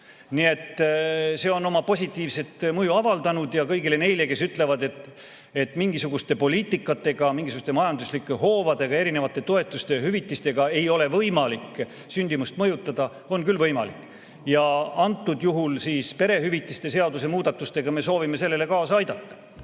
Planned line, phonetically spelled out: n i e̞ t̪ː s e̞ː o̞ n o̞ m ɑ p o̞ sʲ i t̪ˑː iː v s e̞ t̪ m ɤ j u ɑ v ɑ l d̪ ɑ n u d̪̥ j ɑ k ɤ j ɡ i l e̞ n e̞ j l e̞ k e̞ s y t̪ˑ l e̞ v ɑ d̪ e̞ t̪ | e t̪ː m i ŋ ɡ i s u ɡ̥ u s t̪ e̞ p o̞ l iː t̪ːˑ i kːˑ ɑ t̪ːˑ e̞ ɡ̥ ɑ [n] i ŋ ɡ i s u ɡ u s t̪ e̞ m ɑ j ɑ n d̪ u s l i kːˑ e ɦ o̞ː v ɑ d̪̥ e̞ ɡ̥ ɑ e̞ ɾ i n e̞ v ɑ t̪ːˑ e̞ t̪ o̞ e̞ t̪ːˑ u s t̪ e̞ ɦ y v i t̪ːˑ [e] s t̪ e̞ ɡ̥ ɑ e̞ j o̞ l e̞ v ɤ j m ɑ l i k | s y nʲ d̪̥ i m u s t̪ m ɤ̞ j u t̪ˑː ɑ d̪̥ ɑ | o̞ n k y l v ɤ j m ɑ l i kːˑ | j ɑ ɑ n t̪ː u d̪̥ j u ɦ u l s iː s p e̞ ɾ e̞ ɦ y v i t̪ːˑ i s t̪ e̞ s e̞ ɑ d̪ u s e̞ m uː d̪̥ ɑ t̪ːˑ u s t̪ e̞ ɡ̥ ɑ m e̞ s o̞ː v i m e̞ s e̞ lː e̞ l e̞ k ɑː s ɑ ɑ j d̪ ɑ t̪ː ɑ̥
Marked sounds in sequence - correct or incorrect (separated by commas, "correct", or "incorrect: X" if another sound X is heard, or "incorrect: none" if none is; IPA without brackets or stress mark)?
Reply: incorrect: m, incorrect: i